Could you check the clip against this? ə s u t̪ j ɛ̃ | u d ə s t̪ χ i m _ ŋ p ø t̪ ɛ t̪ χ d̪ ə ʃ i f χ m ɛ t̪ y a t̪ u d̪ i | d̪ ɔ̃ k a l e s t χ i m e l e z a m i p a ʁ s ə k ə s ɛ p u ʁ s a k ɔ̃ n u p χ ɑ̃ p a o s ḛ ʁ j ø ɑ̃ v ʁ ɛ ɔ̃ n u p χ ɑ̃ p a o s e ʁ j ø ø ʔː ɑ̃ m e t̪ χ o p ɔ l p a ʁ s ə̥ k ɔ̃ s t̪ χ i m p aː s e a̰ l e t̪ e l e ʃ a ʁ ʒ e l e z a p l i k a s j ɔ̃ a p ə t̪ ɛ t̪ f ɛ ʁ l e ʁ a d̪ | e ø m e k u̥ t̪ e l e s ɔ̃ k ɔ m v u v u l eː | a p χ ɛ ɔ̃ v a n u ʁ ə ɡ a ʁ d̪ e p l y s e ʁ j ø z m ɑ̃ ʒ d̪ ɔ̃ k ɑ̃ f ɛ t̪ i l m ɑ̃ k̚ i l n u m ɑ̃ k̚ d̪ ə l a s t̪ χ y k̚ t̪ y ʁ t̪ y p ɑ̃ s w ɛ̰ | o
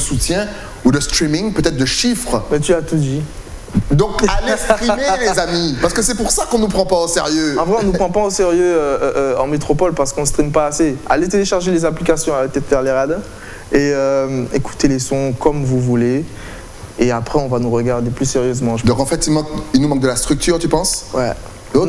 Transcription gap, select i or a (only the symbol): i